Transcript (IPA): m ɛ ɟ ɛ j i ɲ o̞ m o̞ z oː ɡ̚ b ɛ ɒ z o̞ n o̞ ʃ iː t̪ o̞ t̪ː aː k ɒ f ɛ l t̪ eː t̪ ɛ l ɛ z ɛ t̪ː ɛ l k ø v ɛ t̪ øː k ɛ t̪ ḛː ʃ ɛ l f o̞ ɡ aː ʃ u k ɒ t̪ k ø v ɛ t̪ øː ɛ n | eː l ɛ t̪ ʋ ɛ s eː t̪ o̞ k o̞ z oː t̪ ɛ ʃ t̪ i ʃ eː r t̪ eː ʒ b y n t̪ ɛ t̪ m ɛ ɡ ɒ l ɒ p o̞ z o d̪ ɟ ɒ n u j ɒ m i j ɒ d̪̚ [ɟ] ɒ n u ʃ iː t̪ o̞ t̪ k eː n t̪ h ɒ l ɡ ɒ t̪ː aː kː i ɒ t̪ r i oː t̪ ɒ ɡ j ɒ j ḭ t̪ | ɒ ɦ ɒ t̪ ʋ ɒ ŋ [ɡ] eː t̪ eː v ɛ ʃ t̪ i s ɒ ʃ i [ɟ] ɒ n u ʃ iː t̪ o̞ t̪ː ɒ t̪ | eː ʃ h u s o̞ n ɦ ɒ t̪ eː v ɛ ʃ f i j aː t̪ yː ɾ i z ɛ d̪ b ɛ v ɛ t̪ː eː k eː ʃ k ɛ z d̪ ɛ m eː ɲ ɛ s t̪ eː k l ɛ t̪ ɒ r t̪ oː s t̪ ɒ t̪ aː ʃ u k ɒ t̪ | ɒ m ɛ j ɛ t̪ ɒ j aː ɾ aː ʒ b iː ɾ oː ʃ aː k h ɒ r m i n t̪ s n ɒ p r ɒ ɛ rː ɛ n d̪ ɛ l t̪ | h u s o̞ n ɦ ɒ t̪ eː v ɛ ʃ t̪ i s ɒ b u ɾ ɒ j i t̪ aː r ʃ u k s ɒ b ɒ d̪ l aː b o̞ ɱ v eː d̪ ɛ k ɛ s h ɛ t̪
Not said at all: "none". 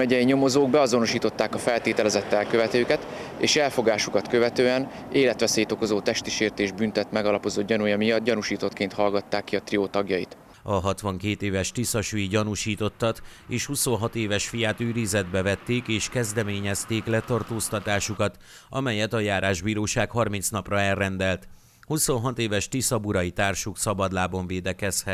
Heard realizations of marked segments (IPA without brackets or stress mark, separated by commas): ɟ, k, ɟ